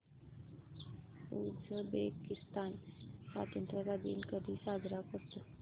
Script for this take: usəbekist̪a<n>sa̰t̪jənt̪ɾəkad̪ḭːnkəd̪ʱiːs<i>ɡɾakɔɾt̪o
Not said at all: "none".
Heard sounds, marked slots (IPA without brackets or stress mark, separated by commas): n, a